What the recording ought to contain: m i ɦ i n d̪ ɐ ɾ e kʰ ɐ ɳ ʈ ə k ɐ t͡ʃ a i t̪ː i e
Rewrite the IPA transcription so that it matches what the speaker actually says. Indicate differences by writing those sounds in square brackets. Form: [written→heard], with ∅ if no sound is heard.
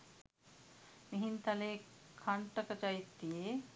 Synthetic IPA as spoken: m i ɦ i n [d̪→t̪] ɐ [ɾ→l] e kʰ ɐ ɳ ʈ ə k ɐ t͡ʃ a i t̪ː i e

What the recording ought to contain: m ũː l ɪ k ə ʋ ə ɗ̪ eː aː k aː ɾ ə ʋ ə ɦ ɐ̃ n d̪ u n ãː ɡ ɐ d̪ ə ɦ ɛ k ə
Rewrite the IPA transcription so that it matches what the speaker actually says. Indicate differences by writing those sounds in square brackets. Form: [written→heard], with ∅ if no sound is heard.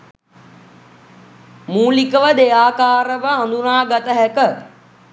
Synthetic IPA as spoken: m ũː l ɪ k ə ʋ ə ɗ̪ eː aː k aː ɾ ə ʋ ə ɦ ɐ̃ n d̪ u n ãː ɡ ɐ [d̪→t̪] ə ɦ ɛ k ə

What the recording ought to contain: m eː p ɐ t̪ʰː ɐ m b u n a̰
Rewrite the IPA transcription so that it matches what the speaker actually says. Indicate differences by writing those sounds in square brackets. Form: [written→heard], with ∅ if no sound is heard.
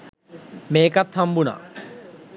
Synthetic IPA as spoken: m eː [p→k] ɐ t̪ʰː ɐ m b u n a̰

